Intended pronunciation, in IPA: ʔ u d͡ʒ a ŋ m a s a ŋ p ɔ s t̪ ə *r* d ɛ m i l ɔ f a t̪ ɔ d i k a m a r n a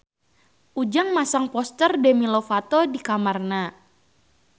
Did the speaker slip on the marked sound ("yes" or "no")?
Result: no